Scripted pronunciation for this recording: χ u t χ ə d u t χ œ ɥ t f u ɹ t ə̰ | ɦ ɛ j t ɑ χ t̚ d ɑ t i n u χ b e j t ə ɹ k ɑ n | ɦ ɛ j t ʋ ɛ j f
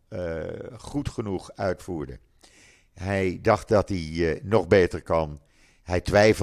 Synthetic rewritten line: χ u t χ ə n u χ œ ɥ t f uː ɹ d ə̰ | ɦ ɛ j d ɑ χ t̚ d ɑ t i n ɔ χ b e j t ə ɹ k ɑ n | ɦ ɛ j t ʋ ɛ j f